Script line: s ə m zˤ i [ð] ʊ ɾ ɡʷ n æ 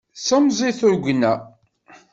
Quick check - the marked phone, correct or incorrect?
incorrect